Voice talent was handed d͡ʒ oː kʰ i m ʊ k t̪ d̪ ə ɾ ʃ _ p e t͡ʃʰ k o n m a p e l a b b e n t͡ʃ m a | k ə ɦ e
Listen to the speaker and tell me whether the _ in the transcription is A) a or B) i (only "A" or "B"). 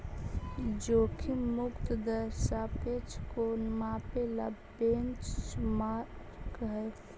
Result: A